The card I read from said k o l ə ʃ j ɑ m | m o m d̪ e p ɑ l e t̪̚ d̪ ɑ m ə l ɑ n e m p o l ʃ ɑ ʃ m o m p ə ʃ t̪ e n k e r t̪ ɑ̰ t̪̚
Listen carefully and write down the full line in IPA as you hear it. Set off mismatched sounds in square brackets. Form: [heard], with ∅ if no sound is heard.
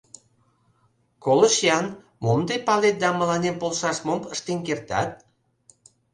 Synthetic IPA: k o l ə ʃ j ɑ [n] | m o m d̪ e p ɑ l e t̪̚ d̪ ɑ m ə l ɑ n e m p o l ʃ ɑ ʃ m o m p ə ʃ t̪ e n k e r t̪ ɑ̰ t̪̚